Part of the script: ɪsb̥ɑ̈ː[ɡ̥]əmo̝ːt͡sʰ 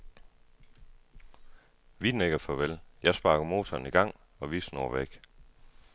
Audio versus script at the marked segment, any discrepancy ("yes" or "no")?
no